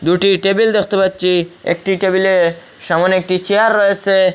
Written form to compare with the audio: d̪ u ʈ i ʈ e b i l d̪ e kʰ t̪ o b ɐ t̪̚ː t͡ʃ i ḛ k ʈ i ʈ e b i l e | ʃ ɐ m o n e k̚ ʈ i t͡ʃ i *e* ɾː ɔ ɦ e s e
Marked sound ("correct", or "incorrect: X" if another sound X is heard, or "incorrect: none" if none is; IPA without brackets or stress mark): incorrect: a